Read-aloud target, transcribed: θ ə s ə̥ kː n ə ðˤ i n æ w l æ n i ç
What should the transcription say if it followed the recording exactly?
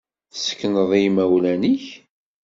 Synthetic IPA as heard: θ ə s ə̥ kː n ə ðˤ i m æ w l æ n i ç